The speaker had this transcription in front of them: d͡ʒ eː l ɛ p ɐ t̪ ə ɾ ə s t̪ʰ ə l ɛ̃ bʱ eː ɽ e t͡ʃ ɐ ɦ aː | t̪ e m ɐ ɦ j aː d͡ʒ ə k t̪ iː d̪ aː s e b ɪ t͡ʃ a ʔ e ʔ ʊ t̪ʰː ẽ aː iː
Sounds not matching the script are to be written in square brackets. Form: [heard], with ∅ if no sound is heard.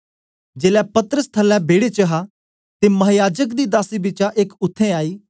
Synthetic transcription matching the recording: d͡ʒ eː l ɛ p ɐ t̪ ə ɾ ə s t̪ʰ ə l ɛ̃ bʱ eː ɽ e t͡ʃ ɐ ɦ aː | t̪ e m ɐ ɦ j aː d͡ʒ ə k [d̪] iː d̪ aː s [i] b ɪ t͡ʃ a ʔ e [k] ʊ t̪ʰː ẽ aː iː